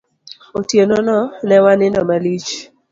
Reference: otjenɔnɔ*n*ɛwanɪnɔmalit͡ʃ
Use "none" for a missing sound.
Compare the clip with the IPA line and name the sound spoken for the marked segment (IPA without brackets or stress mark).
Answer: n